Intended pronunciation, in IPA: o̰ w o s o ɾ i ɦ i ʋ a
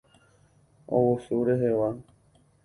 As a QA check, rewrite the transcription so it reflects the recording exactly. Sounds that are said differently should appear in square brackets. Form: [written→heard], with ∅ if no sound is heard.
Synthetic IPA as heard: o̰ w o s [o→u] ɾ [i→e] ɦ [i→e] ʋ a